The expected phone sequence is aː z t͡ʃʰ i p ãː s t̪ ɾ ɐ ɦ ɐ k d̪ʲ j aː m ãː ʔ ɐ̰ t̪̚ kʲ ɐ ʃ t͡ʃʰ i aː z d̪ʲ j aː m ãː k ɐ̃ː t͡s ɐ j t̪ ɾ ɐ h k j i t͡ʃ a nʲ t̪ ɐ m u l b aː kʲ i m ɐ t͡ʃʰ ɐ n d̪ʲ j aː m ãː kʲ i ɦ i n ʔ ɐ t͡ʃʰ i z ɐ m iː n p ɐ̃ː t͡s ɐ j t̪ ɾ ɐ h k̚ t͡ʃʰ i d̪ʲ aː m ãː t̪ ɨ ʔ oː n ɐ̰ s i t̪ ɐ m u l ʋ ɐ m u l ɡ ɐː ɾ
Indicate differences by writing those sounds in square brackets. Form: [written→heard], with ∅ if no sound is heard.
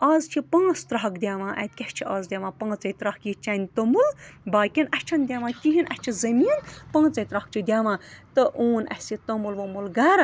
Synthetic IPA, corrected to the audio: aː z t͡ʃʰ i p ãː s t̪ ɾ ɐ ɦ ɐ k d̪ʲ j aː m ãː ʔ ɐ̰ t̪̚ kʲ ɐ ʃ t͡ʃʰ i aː z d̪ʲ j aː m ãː [k→p] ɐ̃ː t͡s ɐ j t̪ ɾ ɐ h k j i t͡ʃ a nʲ t̪ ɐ m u l b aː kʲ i [m→n] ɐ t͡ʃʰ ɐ n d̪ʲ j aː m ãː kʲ i ɦ i n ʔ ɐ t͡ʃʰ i z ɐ m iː n p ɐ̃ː t͡s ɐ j t̪ ɾ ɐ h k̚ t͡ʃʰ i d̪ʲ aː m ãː t̪ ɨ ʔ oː n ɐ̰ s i t̪ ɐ m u l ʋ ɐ m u l ɡ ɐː ɾ